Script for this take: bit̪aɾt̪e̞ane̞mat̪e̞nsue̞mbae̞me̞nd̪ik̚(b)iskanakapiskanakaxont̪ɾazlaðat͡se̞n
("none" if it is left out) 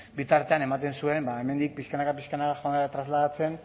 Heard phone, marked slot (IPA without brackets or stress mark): p